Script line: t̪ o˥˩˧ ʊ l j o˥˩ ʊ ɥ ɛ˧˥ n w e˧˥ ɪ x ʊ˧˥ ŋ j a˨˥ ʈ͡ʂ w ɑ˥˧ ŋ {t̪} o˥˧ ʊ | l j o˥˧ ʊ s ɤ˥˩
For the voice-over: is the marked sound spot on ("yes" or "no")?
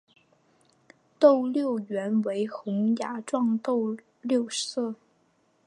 yes